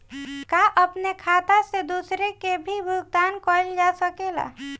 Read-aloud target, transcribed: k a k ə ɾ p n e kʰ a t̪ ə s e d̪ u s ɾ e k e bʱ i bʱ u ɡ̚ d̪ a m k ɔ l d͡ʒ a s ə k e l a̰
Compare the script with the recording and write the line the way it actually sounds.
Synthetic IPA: k a ʔ ə p n e kʰ a t̪ a s e d̪ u s ɾ e k e bʱ i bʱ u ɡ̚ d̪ a n k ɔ l d͡ʒ a s ə k e l a̰